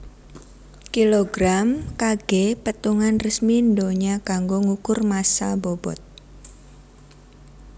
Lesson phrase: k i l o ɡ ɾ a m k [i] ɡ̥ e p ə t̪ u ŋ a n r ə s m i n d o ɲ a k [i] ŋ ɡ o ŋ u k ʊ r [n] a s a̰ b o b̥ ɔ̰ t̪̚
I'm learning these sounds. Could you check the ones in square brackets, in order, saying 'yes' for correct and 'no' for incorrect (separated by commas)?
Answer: no, no, no